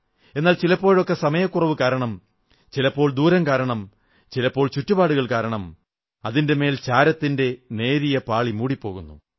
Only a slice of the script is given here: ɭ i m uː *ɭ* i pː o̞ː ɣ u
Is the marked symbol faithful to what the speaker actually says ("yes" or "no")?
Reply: no